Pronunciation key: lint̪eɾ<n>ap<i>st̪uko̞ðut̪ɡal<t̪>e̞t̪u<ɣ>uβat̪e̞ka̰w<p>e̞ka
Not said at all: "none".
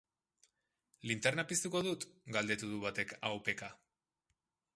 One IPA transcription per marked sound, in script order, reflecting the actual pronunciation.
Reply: n, i, d̪, ð, p

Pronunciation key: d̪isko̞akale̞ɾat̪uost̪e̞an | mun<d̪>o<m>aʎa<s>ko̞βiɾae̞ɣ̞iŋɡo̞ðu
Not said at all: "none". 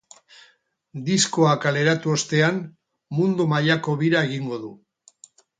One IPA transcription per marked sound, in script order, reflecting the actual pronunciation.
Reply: d̪, m, none

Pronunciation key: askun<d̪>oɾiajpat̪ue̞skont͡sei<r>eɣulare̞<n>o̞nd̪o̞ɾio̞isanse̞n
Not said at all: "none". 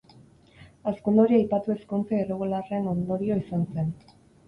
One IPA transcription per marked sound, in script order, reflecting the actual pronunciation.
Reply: d̪, r, n

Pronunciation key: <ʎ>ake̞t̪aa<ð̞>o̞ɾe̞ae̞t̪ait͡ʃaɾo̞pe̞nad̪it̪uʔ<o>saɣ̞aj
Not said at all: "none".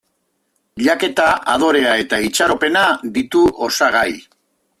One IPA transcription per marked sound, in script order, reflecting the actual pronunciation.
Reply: ʎ, ð̞, o

